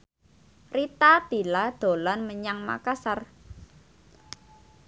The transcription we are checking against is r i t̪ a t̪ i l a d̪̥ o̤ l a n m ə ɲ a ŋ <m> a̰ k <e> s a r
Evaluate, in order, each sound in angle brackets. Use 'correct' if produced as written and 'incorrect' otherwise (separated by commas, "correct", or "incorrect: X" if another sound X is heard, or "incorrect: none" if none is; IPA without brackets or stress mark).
correct, incorrect: a